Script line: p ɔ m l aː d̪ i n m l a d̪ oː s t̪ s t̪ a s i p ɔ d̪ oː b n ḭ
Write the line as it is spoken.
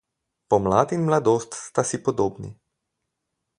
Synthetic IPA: p ɔ m l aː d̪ i n m l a d̪ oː s t̪ s t̪ a s i p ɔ d̪ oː b n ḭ